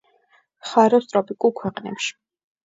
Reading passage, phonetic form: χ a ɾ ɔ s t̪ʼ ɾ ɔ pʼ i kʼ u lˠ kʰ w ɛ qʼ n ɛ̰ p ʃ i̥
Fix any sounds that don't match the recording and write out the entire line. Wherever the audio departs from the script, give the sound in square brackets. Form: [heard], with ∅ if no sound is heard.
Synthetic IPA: χ a ɾ ɔ s t̪ʼ ɾ ɔ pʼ i kʼ u lˠ kʰ w ɛ qʼ n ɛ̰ p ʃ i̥

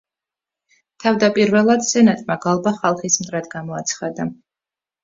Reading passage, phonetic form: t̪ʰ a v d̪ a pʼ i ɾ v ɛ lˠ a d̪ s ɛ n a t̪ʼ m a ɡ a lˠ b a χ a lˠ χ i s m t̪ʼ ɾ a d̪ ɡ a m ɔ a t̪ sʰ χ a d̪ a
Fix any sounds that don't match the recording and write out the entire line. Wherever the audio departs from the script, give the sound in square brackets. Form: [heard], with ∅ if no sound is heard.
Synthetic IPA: t̪ʰ a v d̪ a pʼ i ɾ v ɛ lˠ a d̪ s ɛ n a t̪ʼ m a ɡ a lˠ b a χ a lˠ χ i s m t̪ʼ ɾ a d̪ ɡ a m ɔ a t̪ sʰ χ a d̪ a

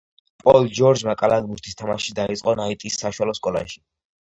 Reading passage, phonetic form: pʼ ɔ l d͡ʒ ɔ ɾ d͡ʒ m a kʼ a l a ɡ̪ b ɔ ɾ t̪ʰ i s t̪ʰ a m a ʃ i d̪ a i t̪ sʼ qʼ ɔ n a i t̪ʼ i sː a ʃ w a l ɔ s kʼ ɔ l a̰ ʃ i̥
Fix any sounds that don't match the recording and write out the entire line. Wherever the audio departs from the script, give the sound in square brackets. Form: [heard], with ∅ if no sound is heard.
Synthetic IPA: pʼ ɔ l d͡ʒ ɔ ɾ d͡ʒ m a kʼ a l a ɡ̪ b [u] ɾ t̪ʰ i s t̪ʰ a m a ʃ i d̪ a i t̪ sʼ qʼ ɔ n a i t̪ʼ i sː a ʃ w a l ɔ s kʼ ɔ l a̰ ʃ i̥

